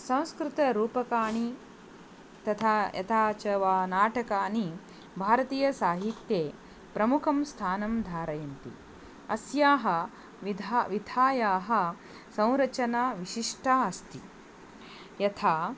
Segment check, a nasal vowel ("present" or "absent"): present